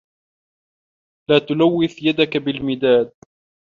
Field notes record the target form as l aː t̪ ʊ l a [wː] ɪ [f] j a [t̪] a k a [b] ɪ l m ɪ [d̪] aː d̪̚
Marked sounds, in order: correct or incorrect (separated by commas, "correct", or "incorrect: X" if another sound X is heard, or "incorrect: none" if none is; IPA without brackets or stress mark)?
correct, incorrect: θ, incorrect: d̪, correct, correct